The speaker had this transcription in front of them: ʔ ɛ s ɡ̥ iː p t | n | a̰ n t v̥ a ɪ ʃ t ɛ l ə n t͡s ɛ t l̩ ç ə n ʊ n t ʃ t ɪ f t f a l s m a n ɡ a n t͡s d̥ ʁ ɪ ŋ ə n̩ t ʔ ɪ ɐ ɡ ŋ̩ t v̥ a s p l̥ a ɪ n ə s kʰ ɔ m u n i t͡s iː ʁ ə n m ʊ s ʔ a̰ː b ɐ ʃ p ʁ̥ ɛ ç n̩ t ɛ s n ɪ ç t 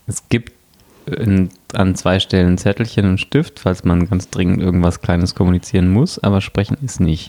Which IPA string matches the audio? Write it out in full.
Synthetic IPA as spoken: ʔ ɛ s ɡ̥ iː p t | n | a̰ n t͡s v̥ a ɪ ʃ t ɛ l ə n t͡s ɛ t l̩ ç ə n ʊ n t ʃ t ɪ f t f a l s m a n ɡ a n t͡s d̥ ʁ ɪ ŋ ə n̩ t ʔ ɪ ɐ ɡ ŋ̩ t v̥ a s k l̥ a ɪ n ə s kʰ ɔ m u n i t͡s iː ʁ ə n m ʊ s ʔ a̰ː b ɐ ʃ p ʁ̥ ɛ ç n̩ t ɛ s n ɪ ç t